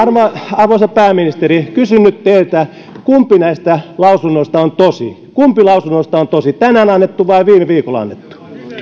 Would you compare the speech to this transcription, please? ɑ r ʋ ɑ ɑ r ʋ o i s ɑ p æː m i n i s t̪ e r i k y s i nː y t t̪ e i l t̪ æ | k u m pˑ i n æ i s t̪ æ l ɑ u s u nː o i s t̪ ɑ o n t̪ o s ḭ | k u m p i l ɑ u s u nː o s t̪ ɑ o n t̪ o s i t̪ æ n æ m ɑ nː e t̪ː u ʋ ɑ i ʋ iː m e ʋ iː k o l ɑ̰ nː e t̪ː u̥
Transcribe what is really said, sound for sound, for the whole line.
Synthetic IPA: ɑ r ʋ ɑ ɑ r ʋ o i s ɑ p æː m i n i s t̪ e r i k y s y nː y t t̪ e i l t̪ æ | k u m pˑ i n æ i s t̪ æ l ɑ u s u nː o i s t̪ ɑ o n t̪ o s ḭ | k u m p i l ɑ u s u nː o s t̪ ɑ o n t̪ o s i t̪ æ n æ n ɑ nː e t̪ː u ʋ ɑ i ʋ iː m e ʋ iː k o l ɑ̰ nː e t̪ː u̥

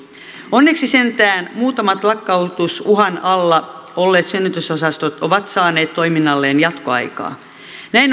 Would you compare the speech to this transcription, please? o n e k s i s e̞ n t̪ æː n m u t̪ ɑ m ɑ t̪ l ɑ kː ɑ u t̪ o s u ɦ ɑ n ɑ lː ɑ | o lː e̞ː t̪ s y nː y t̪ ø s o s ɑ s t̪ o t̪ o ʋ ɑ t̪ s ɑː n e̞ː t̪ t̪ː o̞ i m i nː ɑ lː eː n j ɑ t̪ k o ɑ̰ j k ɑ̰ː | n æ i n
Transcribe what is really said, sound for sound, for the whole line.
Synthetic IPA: o nː e k s i s e̞ n t̪ æː n m uː t̪ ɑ m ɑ t̪ l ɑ kː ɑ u t̪ u s u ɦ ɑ n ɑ lː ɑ | o lː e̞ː t̪ s y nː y t̪ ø s o s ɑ s t̪ o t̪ o ʋ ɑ t̪ s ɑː n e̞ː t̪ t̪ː o̞ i m i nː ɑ lː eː n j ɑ t̪ k o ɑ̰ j k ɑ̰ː | n æ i n

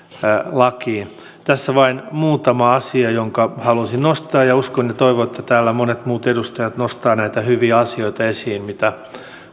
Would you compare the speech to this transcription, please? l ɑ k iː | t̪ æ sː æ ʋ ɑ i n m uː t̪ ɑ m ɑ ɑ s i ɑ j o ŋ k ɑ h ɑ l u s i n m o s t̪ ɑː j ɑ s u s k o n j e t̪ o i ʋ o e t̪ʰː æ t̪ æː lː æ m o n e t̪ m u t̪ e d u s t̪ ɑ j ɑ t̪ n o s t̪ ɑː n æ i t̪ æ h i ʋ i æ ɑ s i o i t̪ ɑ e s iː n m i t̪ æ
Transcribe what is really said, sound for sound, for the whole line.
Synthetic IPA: l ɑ k iː | t̪ æ sː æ ʋ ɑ i n m uː t̪ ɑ m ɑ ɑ s i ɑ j o ŋ k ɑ h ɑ l u s i n n o s t̪ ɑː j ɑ u s k o n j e t̪ o i ʋ o e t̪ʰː æ t̪ æː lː æ m o n e t̪ m uː t̪ e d u s t̪ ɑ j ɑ t̪ n o s t̪ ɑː n æ i t̪ æ h y ʋ i æ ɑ s i o i t̪ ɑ e s iː n m i t̪ æ

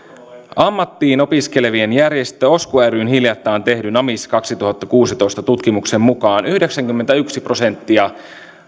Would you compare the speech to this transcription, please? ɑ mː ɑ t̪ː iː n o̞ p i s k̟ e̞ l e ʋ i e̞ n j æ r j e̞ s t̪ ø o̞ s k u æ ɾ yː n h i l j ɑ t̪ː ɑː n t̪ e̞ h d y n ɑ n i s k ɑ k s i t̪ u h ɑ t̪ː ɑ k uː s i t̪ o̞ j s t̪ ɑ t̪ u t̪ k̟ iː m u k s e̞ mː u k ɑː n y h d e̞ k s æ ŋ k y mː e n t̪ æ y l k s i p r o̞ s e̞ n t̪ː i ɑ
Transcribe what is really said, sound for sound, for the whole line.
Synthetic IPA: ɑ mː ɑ t̪ː iː n o̞ p i s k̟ e̞ l e ʋ i e̞ n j æ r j e̞ s t̪ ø o̞ s k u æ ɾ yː n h i l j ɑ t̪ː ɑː n t̪ e̞ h d y n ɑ m i s k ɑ k s i t̪ u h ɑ t̪ː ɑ k uː s i t̪ o̞ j s t̪ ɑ t̪ u t̪ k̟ i m u k s e̞ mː u k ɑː n y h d e̞ k s æ ŋ k y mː e n t̪ æ y k s i p r o̞ s e̞ n t̪ː i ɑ

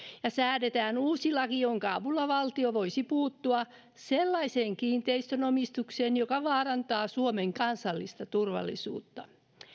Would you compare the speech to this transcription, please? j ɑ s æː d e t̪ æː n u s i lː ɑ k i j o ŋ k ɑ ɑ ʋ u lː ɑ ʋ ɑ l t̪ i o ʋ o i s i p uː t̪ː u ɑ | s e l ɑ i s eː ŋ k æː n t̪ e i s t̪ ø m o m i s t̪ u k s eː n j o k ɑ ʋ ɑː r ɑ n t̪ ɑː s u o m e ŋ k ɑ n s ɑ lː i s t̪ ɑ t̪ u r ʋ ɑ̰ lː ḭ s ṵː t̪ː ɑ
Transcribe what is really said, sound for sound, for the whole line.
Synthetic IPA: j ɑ s æː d e t̪ æː n uː s i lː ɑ k i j o ŋ k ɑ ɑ ʋ u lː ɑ ʋ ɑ l t̪ i o ʋ o i s i p uː t̪ː u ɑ | s e lː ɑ i s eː ŋ k iː n t̪ e i s t̪ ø n o m i s t̪ u k s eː n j o k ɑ ʋ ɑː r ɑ n t̪ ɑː s u o m e ŋ k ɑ n s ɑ lː i s t̪ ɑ t̪ u r ʋ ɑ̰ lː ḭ s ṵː t̪ː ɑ

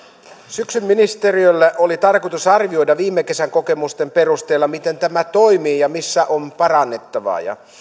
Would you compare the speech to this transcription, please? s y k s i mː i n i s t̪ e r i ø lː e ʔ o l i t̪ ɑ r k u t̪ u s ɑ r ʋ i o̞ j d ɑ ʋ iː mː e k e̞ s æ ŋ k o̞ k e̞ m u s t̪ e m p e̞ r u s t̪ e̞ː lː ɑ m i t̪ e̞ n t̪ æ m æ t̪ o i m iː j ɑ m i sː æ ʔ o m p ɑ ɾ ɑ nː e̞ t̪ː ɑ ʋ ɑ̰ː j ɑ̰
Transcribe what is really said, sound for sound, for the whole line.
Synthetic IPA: s y k s y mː i n i s t̪ e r i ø lː e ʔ o l i t̪ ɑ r k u t̪ u s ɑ r ʋ i o̞ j d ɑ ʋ iː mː e k e̞ s æ ŋ k o̞ k e̞ m u s t̪ e m p e̞ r u s t̪ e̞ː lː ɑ m i t̪ e̞ n t̪ æ m æ t̪ o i m iː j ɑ m i sː æ ʔ o m p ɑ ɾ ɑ nː e̞ t̪ː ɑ ʋ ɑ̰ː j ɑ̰

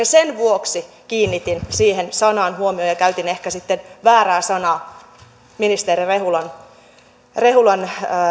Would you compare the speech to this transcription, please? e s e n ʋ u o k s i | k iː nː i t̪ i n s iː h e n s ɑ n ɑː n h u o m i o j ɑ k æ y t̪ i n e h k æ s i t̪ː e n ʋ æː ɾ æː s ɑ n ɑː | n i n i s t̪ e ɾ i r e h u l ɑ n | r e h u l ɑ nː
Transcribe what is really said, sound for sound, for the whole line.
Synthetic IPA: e s e n ʋ u o k s i | k iː nː i t̪ i n s iː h e n s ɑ n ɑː n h u o m i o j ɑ k æ y t̪ i n e h k æ s i t̪ː e n ʋ æː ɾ æː s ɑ n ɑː | m i n i s t̪ e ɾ i r e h u l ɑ n | r e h u l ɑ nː

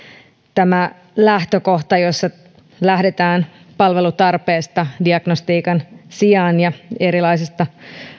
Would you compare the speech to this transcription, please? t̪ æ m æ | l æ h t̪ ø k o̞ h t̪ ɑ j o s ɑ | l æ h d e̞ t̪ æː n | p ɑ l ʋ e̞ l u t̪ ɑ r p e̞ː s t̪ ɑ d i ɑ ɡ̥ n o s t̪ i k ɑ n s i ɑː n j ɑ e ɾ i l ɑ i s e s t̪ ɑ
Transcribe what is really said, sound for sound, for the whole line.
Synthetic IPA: t̪ æ m æ | l æ h t̪ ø k o̞ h t̪ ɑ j o sː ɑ | l æ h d e̞ t̪ æː n | p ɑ l ʋ e̞ l u t̪ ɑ r p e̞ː s t̪ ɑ d i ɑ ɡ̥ n o s t̪ iː k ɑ n s i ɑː n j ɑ e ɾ i l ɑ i s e s t̪ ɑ

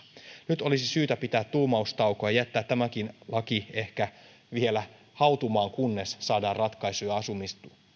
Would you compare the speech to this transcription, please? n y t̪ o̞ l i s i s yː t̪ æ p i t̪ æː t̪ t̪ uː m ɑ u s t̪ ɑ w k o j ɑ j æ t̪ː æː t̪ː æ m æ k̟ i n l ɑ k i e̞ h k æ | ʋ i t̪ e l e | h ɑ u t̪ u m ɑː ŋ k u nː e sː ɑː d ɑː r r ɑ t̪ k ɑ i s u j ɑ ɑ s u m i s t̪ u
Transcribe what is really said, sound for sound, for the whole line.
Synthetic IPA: n y t̪ o̞ l i s i s yː t̪ æ p i t̪ æː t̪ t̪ uː m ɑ u s t̪ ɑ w k o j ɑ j æ t̪ː æː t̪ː æ m æ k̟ i n l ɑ k i e̞ h k æ | ʋ i e l æ | h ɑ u t̪ u m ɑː ŋ k u nː e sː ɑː d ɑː r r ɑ t̪ k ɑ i s u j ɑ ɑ s u m i s t̪ u

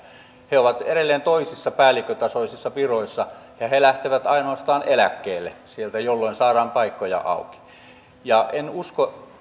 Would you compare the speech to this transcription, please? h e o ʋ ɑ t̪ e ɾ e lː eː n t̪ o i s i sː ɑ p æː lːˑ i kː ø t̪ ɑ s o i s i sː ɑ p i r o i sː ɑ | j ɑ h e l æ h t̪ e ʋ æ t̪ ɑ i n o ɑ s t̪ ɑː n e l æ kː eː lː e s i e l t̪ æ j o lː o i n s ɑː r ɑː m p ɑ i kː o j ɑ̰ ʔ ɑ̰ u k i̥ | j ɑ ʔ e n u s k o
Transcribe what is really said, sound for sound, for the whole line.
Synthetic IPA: h e o ʋ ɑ t̪ e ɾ e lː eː n t̪ o i s i sː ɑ p æː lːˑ i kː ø t̪ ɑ s o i s i sː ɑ p i r o i sː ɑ | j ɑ h e l æ h t̪ e ʋ æ t̪ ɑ i n o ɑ s t̪ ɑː n e l æ kː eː lː e s i e l t̪ æ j o lː o i n s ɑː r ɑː m p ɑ i kː o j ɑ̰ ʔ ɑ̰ u k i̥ | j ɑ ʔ e n u s k o

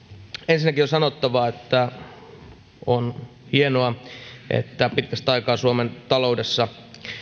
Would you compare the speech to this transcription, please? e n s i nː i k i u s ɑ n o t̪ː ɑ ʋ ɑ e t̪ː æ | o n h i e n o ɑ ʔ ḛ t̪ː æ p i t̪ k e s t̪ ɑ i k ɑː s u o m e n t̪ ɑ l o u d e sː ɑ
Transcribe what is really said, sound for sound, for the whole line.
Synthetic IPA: e n s i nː æ k i o s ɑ n o t̪ː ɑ ʋ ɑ e t̪ː æ | o n h i e n o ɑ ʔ ḛ t̪ː æ p i t̪ k æ s t̪ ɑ i k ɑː s u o m e n t̪ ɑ l o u d e sː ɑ

